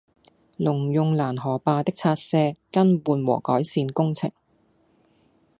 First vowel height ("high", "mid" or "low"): high